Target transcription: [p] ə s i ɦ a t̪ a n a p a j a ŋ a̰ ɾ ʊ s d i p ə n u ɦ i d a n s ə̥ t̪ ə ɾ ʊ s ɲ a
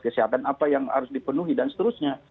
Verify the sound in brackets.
incorrect: k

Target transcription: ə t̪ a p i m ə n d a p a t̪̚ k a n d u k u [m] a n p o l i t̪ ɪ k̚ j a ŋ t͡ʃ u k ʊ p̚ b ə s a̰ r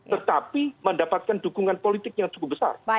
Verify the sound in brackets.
incorrect: ŋ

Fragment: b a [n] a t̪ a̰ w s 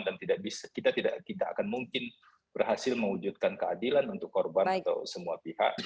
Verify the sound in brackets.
correct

